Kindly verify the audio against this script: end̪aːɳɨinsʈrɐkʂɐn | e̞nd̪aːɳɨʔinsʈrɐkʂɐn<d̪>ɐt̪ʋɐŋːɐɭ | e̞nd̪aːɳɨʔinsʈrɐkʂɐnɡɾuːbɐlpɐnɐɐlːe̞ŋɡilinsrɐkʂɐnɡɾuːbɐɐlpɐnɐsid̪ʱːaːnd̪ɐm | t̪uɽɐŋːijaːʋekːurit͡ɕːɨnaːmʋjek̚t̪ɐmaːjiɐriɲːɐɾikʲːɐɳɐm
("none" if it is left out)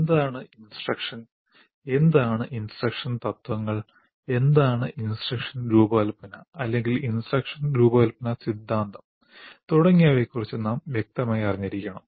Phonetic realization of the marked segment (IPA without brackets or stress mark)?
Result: t̪